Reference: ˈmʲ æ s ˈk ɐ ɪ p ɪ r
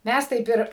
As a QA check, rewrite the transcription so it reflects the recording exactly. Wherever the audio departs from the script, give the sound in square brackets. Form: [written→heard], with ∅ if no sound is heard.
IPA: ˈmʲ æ s [ˈk→ˈt] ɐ ɪ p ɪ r